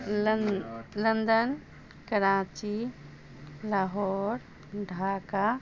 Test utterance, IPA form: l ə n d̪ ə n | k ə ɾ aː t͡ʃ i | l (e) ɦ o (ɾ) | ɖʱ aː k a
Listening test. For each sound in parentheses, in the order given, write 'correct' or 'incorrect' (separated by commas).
incorrect, correct